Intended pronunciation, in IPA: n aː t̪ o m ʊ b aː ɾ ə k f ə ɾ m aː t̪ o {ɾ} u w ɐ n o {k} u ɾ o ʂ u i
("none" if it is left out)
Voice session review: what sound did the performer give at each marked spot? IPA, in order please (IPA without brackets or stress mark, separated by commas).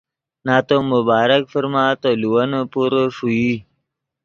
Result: l, p